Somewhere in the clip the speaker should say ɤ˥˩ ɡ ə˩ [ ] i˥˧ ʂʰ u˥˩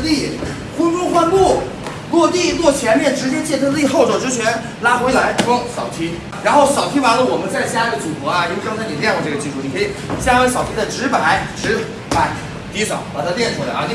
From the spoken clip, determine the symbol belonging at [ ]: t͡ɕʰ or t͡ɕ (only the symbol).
t͡ɕ